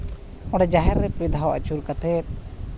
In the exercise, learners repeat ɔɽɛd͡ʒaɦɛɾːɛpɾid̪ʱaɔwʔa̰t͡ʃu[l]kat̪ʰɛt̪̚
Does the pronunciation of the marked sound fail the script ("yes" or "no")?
yes